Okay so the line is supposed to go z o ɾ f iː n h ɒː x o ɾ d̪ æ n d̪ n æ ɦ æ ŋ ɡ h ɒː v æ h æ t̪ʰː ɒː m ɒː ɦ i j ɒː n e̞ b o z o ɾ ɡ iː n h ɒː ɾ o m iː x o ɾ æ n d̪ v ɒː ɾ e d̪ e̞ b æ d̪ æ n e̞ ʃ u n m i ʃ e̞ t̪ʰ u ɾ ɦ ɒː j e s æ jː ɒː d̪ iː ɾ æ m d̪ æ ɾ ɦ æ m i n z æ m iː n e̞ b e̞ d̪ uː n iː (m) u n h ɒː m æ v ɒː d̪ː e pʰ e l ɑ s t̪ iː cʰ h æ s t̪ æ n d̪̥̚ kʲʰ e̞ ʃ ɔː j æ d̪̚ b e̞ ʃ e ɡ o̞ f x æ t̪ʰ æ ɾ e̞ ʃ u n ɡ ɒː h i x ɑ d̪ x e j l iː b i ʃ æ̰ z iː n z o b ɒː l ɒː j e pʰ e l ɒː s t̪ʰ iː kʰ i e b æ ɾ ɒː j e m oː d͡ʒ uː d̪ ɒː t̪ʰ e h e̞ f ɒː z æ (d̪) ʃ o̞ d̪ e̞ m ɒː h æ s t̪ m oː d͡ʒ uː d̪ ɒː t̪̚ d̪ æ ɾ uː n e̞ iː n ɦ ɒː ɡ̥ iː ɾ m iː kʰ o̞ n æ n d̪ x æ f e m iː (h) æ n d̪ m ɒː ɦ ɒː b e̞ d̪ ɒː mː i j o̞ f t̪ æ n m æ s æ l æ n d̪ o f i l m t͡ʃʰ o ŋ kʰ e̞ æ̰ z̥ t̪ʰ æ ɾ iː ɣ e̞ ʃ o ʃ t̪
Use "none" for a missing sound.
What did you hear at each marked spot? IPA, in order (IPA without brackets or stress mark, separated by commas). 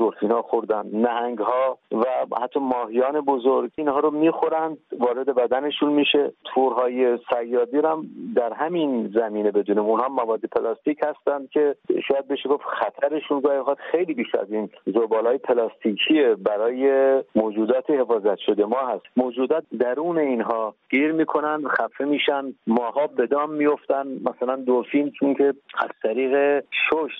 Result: m, t̪, ʃ